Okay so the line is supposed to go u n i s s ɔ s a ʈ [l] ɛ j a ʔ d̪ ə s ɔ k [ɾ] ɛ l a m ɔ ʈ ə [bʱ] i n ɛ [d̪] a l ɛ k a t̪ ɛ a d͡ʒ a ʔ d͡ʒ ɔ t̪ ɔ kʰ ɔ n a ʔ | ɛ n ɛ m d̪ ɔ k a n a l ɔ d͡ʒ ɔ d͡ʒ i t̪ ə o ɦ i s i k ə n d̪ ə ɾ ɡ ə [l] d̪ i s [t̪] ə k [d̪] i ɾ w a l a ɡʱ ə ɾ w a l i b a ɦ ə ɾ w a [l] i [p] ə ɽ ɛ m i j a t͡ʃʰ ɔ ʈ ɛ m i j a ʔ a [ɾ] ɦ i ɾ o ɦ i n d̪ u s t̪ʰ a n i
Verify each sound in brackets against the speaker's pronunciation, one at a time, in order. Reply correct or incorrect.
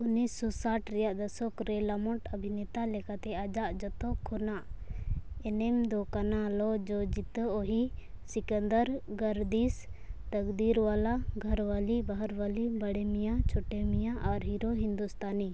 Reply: incorrect, correct, correct, incorrect, incorrect, correct, correct, correct, incorrect, correct

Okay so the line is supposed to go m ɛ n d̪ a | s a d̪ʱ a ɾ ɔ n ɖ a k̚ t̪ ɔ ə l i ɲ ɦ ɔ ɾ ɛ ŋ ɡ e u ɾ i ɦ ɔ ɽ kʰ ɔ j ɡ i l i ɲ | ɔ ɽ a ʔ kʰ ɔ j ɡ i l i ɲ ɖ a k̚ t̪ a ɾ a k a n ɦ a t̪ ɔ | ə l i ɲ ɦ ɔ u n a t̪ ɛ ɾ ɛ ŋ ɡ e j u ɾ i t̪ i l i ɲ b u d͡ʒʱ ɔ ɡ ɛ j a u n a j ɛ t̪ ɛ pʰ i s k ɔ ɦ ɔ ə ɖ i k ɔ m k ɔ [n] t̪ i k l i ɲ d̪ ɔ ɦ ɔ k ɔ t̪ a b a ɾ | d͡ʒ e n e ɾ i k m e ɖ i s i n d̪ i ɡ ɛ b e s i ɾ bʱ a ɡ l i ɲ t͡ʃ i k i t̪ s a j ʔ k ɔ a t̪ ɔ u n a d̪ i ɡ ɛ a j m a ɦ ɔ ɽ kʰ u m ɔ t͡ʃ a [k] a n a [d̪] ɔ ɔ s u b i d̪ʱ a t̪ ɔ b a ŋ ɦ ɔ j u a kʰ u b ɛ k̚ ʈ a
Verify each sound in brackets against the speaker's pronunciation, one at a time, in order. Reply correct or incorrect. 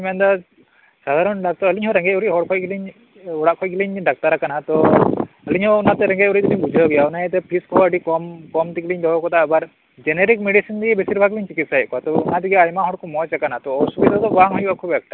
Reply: incorrect, correct, incorrect

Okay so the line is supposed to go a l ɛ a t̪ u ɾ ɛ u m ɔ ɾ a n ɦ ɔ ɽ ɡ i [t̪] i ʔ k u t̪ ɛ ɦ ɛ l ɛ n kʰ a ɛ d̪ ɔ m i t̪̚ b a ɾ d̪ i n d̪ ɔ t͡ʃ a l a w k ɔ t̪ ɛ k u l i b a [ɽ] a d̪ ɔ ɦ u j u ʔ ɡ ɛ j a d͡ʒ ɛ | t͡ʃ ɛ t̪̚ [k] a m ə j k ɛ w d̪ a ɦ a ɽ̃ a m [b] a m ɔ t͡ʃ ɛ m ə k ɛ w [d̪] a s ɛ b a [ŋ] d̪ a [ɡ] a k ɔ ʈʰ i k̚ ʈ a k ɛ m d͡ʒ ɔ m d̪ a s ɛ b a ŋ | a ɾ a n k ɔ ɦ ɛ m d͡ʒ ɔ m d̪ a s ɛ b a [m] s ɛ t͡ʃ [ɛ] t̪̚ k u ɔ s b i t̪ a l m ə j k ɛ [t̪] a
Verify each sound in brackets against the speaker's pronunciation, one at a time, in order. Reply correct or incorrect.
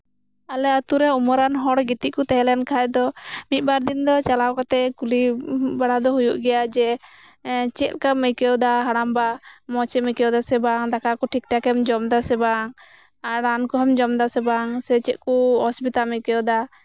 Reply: correct, correct, correct, correct, correct, correct, incorrect, incorrect, correct, incorrect

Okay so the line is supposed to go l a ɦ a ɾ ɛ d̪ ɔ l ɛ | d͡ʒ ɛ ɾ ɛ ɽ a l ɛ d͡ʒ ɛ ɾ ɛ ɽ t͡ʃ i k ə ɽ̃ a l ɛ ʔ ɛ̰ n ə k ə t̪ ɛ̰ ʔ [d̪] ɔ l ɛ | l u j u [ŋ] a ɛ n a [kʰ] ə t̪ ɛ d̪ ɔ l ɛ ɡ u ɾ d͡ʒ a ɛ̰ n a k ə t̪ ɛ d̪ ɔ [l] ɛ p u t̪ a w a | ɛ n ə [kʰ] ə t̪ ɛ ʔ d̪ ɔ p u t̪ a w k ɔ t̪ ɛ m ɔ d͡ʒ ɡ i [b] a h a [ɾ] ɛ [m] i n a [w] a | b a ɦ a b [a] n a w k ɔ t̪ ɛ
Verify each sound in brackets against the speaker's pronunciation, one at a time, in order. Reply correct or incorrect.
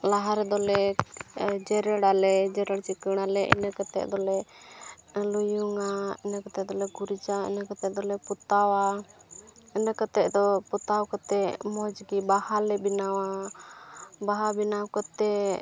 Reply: correct, correct, incorrect, correct, incorrect, correct, incorrect, incorrect, correct, incorrect

